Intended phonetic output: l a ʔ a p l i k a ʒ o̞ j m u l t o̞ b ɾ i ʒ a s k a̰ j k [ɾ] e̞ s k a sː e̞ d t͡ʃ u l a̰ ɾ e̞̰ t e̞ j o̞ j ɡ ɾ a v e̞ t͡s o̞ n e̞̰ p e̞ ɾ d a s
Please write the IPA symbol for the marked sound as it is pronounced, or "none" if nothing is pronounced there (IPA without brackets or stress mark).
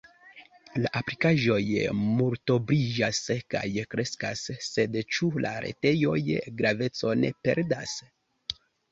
ɾ